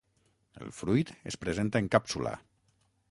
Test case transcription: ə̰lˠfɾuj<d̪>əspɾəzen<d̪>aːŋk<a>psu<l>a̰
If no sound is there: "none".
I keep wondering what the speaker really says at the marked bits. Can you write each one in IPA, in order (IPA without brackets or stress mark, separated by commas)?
t̪, t̪, a, l